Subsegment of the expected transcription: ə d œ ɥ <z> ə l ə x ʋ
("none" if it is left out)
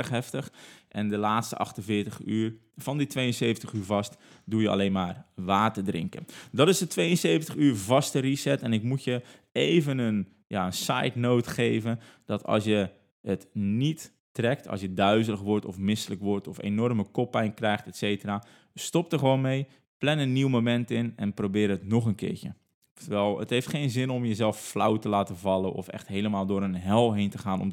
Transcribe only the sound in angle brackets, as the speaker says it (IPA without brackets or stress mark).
z